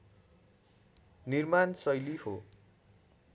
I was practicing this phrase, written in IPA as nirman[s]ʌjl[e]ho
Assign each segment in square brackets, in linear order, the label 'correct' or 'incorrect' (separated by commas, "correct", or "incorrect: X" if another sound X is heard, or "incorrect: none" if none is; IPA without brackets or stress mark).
correct, incorrect: i